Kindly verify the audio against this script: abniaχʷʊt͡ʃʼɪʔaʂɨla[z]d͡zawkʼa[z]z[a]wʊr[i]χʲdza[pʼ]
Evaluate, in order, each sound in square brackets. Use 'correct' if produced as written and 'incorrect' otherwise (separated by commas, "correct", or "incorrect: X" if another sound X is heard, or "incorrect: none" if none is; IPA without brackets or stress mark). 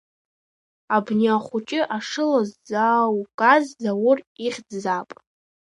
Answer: correct, correct, correct, correct, correct